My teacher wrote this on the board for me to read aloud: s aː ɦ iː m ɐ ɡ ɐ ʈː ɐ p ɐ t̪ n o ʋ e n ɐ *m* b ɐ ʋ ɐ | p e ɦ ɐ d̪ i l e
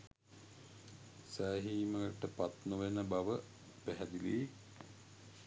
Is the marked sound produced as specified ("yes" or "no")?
no